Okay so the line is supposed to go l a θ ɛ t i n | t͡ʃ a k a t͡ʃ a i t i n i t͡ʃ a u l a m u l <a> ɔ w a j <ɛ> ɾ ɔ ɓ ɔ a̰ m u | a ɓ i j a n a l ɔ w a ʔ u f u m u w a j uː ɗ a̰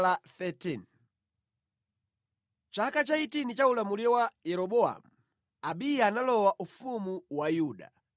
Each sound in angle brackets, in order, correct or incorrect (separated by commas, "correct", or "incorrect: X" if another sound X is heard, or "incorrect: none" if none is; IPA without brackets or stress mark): incorrect: i, correct